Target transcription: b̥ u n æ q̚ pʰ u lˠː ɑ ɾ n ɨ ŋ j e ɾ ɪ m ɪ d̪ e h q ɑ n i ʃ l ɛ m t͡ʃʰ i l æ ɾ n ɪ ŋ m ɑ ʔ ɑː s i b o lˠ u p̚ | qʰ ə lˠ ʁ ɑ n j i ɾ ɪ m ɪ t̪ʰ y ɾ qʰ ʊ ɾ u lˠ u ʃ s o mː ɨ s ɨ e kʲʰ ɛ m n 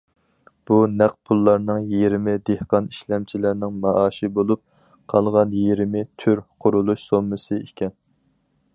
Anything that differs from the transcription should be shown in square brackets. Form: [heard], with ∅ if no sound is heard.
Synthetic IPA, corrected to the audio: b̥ u n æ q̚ pʰ u lˠː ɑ ɾ n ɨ ŋ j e ɾ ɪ m ɪ d̪ e h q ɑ n i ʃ l ɛ m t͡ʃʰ i l æ ɾ n ɪ ŋ m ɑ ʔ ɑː [ʃ] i b o lˠ u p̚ | qʰ [ɑ] lˠ ʁ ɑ n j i ɾ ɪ m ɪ t̪ʰ y ɾ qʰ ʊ ɾ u lˠ u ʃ s o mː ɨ s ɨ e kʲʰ ɛ [∅] n